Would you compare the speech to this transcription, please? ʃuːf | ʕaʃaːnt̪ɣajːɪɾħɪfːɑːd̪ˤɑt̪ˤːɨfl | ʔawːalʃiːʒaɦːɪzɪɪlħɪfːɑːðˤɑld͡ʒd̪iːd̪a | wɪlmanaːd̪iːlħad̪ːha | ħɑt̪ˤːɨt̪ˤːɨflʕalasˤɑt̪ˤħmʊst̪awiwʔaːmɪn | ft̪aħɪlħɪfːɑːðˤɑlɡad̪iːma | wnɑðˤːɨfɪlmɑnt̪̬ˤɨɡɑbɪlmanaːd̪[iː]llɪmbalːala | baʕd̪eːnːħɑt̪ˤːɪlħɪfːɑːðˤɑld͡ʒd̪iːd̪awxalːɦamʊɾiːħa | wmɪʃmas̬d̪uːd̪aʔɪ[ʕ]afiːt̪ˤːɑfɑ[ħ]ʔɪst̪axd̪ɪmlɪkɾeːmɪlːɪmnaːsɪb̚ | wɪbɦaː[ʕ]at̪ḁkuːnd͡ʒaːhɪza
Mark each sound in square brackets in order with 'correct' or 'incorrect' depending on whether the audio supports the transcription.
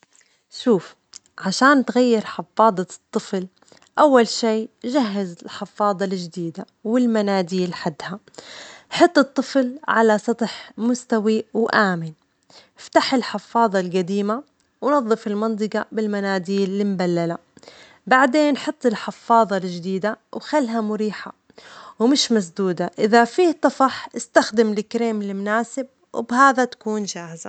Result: correct, incorrect: ð, correct, incorrect: ð

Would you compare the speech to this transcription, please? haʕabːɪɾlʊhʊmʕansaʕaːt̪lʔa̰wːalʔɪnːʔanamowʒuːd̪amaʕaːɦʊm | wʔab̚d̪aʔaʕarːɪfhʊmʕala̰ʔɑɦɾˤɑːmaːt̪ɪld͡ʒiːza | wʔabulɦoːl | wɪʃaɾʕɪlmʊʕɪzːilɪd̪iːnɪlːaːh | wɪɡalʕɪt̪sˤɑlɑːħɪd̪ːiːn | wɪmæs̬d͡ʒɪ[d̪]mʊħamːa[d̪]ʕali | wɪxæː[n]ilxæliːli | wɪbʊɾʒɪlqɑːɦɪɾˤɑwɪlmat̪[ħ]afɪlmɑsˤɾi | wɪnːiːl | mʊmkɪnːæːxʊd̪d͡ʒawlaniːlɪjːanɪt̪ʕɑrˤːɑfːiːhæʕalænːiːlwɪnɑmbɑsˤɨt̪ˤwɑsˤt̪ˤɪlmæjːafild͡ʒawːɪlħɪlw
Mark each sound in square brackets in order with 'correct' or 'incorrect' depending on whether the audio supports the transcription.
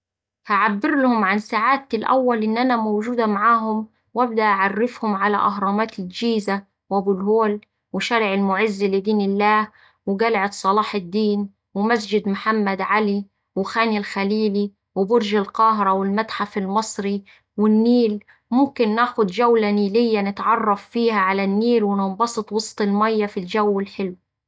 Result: correct, correct, correct, correct

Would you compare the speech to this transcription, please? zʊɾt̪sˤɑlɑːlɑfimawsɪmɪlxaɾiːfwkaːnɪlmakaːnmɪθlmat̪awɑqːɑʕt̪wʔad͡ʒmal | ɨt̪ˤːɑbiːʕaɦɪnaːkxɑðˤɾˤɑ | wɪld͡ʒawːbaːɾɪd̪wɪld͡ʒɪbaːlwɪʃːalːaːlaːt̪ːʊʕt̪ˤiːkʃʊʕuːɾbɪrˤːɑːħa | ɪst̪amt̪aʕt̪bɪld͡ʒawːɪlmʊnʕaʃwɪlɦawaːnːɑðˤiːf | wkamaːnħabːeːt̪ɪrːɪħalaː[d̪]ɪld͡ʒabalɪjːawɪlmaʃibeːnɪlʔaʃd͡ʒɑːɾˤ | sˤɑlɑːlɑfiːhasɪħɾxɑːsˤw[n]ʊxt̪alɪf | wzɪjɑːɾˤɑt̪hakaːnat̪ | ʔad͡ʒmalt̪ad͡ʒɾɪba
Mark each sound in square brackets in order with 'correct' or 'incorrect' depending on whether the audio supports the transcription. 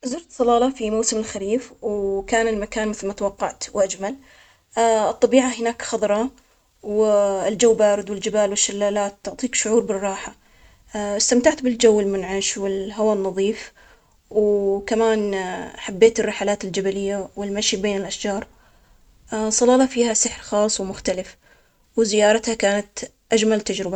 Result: incorrect: t̪, incorrect: m

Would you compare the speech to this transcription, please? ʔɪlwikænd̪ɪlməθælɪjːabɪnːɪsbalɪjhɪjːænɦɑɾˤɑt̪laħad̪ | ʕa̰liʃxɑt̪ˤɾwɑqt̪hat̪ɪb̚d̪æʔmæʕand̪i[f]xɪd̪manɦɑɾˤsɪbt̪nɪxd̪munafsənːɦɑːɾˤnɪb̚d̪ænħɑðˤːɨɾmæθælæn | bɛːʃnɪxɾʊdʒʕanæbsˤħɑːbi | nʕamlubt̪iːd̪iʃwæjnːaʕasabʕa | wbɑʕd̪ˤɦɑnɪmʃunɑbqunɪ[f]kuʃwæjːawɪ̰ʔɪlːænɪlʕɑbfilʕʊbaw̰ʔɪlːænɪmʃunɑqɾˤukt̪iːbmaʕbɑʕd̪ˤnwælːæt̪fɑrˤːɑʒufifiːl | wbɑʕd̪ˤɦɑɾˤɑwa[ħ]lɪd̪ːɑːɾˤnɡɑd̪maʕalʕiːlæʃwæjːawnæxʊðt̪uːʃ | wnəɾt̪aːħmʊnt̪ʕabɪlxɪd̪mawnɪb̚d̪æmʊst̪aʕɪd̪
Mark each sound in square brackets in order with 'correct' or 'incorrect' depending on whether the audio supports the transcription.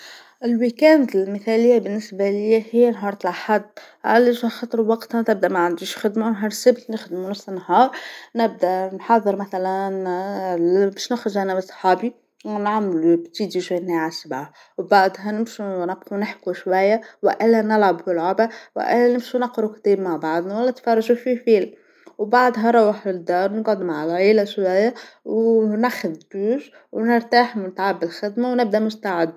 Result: incorrect: ʃ, incorrect: ħ, correct

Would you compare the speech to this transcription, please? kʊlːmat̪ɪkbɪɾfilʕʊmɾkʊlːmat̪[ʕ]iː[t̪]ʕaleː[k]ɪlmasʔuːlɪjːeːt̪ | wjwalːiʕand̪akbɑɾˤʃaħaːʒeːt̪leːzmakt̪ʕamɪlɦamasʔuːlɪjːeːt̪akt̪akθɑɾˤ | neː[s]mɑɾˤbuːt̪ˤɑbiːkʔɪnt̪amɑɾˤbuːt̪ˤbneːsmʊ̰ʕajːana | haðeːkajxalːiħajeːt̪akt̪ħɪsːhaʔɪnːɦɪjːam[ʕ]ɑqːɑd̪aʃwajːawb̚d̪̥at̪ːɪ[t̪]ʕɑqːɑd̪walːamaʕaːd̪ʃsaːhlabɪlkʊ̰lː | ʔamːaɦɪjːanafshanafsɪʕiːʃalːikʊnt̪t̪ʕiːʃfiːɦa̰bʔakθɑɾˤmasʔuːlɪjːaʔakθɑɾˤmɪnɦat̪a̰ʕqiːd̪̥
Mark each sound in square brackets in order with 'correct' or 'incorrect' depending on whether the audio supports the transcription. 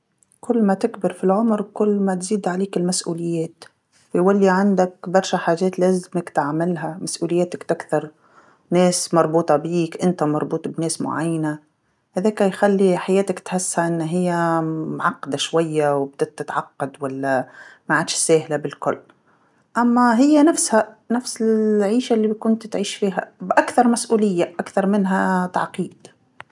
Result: incorrect: z, incorrect: d̪, correct, correct, correct, correct

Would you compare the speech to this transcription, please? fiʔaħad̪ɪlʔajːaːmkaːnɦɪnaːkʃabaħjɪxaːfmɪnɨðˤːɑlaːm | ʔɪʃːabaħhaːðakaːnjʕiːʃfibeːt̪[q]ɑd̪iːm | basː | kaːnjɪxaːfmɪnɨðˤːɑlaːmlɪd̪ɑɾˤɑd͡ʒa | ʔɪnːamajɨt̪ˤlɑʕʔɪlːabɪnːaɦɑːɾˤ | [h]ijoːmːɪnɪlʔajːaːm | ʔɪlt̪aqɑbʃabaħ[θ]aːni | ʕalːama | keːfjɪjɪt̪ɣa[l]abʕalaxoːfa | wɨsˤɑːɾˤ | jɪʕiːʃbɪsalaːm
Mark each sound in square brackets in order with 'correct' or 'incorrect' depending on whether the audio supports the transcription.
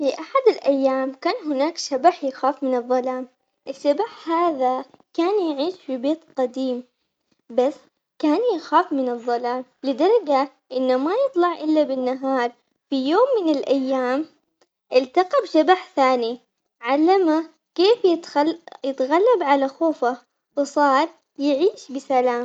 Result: correct, incorrect: f, correct, incorrect: lː

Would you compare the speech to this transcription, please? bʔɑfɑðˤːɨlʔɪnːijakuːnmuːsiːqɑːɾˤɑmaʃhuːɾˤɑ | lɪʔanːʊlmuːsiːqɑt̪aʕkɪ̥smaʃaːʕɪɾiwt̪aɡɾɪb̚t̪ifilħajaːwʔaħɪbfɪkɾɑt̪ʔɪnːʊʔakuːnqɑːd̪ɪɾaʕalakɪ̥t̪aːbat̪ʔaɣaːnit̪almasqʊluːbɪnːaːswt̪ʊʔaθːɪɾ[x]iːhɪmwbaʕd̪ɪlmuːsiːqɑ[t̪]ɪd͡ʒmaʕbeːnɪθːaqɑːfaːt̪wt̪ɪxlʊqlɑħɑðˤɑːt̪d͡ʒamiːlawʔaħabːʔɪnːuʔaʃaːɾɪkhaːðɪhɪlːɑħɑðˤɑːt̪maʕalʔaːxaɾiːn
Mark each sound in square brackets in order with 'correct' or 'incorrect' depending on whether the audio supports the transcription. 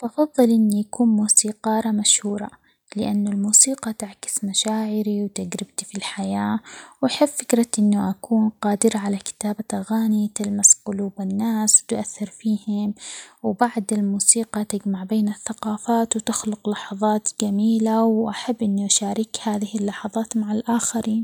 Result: incorrect: f, correct

